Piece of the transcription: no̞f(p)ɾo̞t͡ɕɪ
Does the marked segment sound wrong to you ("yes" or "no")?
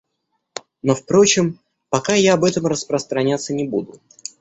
no